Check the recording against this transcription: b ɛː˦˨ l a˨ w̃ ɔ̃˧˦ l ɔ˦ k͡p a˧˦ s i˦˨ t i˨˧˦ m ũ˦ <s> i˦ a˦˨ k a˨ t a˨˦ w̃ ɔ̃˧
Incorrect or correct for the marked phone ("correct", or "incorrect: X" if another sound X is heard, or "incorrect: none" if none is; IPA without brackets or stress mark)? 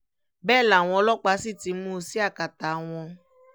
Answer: correct